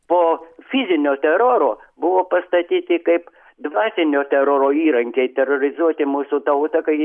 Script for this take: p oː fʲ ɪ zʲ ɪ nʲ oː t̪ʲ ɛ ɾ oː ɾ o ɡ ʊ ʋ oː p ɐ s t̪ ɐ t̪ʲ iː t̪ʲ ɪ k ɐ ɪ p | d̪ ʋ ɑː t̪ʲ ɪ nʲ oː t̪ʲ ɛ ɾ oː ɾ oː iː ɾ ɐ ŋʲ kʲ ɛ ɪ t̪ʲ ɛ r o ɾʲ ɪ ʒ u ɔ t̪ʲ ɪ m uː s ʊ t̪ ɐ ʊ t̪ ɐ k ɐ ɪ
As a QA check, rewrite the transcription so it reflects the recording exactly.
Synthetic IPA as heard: p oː fʲ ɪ zʲ ɪ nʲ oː t̪ʲ ɛ ɾ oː ɾ o b ʊ ʋ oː p ɐ s t̪ ɐ t̪ʲ iː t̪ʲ ɪ k ɐ ɪ p | d̪ ʋ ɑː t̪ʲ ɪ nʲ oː t̪ʲ ɛ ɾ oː ɾ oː iː ɾ ɐ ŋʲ kʲ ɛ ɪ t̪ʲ ɛ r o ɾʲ ɪ z u ɔ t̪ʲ ɪ m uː s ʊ t̪ ɐ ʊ t̪ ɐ k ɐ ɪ